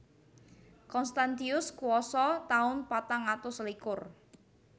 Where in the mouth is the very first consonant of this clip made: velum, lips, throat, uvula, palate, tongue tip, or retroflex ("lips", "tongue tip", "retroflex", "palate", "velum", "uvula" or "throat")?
velum